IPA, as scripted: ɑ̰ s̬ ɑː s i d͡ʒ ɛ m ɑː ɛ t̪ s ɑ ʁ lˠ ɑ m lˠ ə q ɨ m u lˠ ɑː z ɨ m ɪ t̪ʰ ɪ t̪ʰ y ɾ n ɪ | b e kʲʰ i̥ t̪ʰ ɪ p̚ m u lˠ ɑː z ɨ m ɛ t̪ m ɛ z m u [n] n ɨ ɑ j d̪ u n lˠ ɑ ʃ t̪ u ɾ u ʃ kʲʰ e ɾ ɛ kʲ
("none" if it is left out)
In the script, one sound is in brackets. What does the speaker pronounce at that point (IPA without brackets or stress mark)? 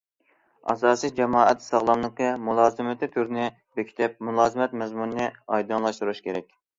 n